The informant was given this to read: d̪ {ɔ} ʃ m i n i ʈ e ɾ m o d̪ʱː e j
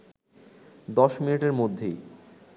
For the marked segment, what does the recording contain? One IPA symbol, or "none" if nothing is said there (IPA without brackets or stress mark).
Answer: ɔ